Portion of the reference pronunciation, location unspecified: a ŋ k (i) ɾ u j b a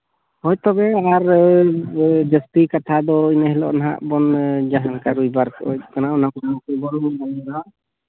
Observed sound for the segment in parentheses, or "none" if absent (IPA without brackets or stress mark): a